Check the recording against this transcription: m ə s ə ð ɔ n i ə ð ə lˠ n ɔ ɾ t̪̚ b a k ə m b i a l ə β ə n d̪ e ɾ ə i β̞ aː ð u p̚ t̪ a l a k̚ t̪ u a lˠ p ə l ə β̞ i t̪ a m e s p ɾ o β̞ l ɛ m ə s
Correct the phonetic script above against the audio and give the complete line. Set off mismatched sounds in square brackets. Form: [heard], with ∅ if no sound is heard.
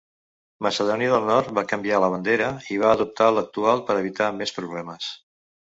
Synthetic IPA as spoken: m ə s ə ð ɔ n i ə ð ə lˠ n ɔ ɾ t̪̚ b a k ə m b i a l ə β ə n d̪ e ɾ ə i β̞ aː ð u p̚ t̪ a l [ə] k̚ t̪ u a lˠ p ə [ɾ] ə β̞ i t̪ a m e s p ɾ [u] β̞ l ɛ m ə s